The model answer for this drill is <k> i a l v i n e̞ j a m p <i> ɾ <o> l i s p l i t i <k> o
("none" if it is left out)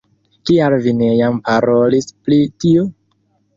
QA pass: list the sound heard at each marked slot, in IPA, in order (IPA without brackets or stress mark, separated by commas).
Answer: k, a, o, none